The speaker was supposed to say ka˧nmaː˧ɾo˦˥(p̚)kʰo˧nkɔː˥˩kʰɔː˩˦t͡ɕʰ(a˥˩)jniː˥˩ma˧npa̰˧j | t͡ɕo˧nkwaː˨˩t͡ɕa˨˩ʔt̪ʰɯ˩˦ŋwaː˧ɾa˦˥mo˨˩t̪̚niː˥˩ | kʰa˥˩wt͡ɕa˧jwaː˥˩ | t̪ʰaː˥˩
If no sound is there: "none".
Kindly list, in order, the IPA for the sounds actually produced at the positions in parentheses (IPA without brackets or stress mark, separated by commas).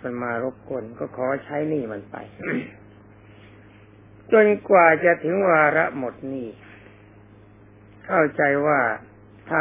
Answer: p̚, a˦˥